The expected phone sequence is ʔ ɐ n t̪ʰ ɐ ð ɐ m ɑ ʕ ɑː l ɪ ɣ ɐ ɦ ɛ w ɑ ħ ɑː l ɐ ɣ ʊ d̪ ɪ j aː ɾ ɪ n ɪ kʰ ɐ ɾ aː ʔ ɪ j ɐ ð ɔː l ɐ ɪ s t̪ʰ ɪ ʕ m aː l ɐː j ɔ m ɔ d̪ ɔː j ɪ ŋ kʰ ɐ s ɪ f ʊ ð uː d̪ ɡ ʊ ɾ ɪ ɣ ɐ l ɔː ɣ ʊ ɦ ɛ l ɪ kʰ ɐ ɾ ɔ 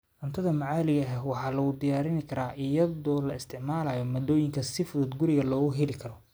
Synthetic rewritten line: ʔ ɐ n t̪ʰ ɐ ð ɐ m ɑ ʕ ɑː l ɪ ɣ ɐ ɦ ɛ w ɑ ħ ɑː l ɐ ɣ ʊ d̪ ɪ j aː ɾ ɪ n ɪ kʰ ɐ ɾ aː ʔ ɪ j ɐ ð ɔː l ɐ ɪ s t̪ʰ ɪ ʕ m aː l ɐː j ɔ m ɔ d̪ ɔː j ɪ ŋ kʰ ɐ s ɪ f ʊ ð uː d̪ ɡ ʊ ɾ ɪ ɣ ɐ l ɔː ɣ ʊ ɦ ɛ l ɪ kʰ ɐ ɾ ɔ